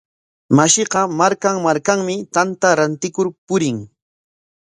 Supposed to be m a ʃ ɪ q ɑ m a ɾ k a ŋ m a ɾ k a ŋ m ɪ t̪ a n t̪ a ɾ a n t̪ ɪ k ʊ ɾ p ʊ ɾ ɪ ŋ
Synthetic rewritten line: m a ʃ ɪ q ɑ m a ɾ k a ŋ m a ɾ k a ŋ m ɪ t̪ a n t̪ a ɾ a n t̪ ɪ k ʊ ɾ p ʊ ɾ ɪ ŋ